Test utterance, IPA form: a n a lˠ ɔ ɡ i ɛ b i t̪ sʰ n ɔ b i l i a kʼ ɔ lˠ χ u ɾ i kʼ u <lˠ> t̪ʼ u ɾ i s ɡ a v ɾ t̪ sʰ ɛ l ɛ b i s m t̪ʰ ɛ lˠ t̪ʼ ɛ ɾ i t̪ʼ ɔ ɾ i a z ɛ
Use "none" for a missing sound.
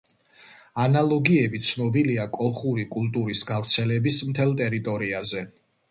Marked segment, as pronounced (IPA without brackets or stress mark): lˠ